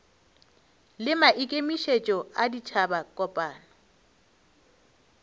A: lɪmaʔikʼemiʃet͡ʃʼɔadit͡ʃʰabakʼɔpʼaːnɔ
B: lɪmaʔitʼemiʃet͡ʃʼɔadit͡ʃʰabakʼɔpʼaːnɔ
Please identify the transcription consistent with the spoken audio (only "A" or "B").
A